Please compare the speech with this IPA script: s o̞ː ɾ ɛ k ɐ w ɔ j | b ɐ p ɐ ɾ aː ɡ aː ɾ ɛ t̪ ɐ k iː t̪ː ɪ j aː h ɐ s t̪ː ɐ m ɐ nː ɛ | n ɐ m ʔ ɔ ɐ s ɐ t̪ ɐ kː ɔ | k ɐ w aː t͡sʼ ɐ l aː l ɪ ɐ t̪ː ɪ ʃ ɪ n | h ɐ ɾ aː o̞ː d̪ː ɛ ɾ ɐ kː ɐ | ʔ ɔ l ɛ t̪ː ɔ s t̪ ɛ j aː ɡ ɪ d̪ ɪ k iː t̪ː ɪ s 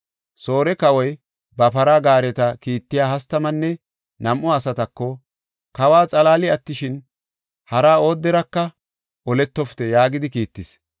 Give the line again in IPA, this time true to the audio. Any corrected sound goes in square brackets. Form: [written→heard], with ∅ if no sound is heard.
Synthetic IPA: s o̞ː ɾ ɛ k ɐ w ɔ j | b ɐ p ɐ ɾ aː ɡ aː ɾ ɛ t̪ ɐ k iː t̪ː ɪ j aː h ɐ s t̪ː ɐ m ɐ nː ɛ | n ɐ m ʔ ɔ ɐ s ɐ t̪ ɐ kː ɔ | k ɐ w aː t͡sʼ ɐ l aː l ɪ ɐ t̪ː ɪ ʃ ɪ n | h ɐ ɾ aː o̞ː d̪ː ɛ ɾ ɐ kː ɐ | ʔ ɔ l ɛ t̪ː ɔ [s→f] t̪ ɛ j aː ɡ ɪ d̪ ɪ k iː t̪ː ɪ s

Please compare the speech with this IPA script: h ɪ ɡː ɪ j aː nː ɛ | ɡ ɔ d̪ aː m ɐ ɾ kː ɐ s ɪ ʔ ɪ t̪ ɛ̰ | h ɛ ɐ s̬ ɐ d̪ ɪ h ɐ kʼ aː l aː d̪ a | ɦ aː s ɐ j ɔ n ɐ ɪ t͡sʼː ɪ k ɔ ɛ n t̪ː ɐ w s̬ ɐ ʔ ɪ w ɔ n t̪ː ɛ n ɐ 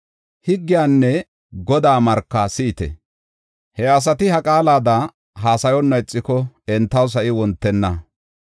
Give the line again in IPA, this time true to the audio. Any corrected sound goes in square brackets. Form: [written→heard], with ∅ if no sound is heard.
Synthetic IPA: h ɪ ɡː ɪ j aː nː ɛ | ɡ ɔ d̪ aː m ɐ ɾ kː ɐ s ɪ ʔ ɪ t̪ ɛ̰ | h ɛ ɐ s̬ ɐ [d̪→t̪] ɪ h ɐ kʼ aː l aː d̪ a | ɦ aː s ɐ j ɔ [n→nː] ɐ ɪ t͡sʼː ɪ k ɔ ɛ n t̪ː ɐ w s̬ ɐ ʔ ɪ w ɔ n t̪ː ɛ [n→nː] ɐ

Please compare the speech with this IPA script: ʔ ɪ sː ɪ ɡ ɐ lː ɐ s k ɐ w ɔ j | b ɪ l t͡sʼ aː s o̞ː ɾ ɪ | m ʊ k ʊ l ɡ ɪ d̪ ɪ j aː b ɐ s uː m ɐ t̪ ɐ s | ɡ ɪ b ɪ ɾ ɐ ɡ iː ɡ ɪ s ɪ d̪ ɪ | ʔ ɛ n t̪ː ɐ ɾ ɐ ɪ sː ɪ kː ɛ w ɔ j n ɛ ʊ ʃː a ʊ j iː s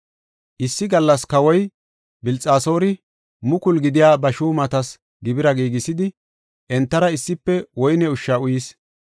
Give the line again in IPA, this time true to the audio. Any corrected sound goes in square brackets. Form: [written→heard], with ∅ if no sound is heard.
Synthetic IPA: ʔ ɪ sː ɪ ɡ ɐ lː ɐ s k ɐ w ɔ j | b ɪ l t͡sʼ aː s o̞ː ɾ ɪ | m ʊ k ʊ l ɡ ɪ d̪ ɪ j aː b ɐ [s→ʃ] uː m ɐ t̪ ɐ s | ɡ ɪ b ɪ ɾ ɐ ɡ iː ɡ ɪ s ɪ d̪ ɪ | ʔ ɛ n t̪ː ɐ ɾ ɐ ɪ sː ɪ [kː→pː] ɛ w ɔ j n ɛ ʊ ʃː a ʊ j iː s

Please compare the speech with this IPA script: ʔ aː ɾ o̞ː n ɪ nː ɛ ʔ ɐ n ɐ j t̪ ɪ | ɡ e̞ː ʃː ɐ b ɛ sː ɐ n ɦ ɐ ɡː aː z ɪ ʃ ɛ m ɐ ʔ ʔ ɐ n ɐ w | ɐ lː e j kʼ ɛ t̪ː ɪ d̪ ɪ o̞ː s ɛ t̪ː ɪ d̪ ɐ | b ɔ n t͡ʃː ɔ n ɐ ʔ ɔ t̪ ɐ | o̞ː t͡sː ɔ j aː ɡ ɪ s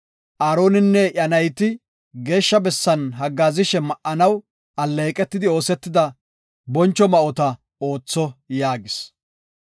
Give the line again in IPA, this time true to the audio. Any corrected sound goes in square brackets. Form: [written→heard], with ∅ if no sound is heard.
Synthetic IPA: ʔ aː ɾ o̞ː n ɪ nː ɛ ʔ ɐ n ɐ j t̪ ɪ | ɡ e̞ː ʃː ɐ b ɛ sː ɐ n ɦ ɐ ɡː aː z ɪ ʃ ɛ m ɐ ʔ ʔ ɐ n ɐ w | ɐ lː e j kʼ ɛ t̪ː ɪ d̪ ɪ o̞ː s ɛ t̪ː ɪ d̪ ɐ | b ɔ n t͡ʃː ɔ [n→m] ɐ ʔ ɔ t̪ ɐ | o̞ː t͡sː ɔ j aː ɡ ɪ s

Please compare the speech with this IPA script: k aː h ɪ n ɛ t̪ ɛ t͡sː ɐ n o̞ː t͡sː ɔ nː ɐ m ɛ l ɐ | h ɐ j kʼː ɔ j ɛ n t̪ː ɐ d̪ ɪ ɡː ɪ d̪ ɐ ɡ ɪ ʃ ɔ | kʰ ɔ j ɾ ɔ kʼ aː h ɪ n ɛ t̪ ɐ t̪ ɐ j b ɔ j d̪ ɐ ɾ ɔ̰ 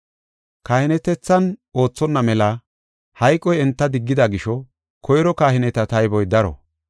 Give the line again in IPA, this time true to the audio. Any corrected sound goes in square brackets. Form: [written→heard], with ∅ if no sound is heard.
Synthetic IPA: k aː h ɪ n ɛ t̪ ɛ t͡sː ɐ n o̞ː t͡sː ɔ nː ɐ m ɛ l ɐ | h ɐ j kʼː ɔ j ɛ n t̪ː ɐ d̪ ɪ ɡː ɪ d̪ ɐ ɡ ɪ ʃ ɔ | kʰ ɔ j ɾ ɔ [kʼ→k] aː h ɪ n ɛ t̪ ɐ t̪ ɐ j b ɔ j d̪ ɐ ɾ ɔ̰

